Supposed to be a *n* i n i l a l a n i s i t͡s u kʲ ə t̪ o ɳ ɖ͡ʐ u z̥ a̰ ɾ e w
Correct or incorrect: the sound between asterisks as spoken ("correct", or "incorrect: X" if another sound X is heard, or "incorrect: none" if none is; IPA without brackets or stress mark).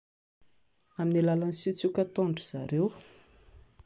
incorrect: m